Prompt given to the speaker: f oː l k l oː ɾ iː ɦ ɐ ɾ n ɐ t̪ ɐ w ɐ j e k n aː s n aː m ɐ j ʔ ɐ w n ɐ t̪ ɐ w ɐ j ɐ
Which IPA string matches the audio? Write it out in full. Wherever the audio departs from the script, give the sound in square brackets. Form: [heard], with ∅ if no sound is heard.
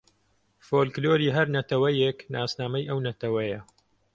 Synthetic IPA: f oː l k l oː ɾ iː ɦ ɐ ɾ n ɐ t̪ ɐ w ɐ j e k n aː s n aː m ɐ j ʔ ɐ w n ɐ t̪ ɐ w ɐ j ɐ